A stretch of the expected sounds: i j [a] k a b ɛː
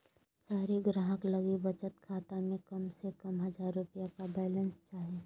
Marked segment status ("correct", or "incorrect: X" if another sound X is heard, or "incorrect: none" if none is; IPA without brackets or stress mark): correct